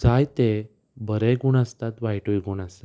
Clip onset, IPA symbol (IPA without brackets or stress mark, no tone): d͡z